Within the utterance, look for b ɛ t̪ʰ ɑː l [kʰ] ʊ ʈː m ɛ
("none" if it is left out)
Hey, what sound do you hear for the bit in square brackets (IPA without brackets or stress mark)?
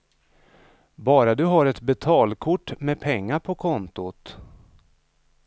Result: kʰ